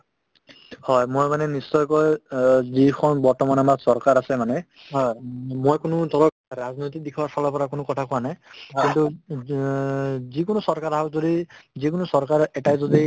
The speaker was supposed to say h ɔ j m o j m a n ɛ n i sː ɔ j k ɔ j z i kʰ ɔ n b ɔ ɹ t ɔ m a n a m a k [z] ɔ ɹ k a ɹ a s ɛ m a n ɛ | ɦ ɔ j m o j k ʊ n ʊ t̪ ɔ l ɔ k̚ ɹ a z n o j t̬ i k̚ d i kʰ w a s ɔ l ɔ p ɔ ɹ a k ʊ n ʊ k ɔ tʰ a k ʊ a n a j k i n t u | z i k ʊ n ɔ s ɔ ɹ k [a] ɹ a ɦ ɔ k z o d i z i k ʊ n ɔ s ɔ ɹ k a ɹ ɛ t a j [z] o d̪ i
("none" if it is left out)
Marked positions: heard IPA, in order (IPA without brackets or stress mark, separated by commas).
s, a, z